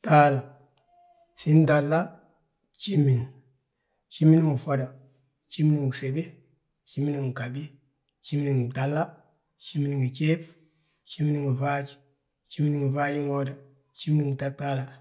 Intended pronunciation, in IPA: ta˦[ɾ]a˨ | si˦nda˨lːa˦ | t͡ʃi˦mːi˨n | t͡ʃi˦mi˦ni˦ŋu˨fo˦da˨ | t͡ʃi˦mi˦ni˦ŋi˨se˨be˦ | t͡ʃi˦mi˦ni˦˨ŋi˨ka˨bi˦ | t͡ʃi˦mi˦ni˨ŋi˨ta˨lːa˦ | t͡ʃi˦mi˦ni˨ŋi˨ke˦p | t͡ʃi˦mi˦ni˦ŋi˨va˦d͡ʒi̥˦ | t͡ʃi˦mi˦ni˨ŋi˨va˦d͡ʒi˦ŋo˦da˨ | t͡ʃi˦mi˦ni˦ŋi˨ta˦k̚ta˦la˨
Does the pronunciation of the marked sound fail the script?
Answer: yes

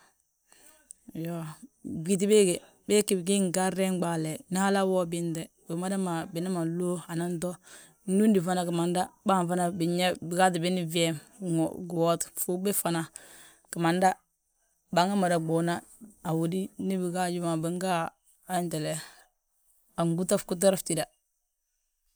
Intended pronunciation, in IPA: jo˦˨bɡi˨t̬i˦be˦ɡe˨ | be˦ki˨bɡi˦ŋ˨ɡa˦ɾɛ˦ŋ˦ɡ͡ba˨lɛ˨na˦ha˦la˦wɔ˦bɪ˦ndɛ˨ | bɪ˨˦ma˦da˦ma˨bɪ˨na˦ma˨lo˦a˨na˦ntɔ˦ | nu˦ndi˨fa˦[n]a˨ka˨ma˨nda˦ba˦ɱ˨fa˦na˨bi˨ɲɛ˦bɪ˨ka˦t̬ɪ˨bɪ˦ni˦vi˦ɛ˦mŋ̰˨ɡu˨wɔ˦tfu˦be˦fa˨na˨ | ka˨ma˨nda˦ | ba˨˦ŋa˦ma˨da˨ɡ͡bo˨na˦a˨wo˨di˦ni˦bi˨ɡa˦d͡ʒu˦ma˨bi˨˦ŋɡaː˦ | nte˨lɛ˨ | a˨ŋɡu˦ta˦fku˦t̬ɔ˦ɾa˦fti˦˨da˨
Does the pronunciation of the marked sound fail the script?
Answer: no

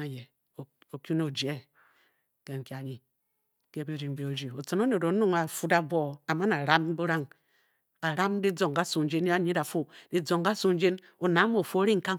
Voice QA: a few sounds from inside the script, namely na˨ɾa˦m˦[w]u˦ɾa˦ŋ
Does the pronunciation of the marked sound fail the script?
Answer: yes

